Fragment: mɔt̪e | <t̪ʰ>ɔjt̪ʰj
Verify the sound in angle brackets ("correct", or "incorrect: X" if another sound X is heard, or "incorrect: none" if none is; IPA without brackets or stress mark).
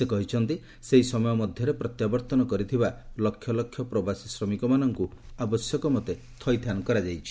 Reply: correct